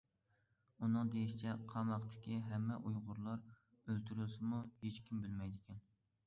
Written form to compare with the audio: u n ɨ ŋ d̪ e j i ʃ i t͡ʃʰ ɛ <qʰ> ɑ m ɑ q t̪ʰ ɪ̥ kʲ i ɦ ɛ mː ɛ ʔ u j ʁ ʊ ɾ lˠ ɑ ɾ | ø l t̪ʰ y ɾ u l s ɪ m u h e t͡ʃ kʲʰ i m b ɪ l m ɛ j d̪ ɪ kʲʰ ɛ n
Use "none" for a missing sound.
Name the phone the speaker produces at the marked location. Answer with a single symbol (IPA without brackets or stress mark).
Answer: qʰ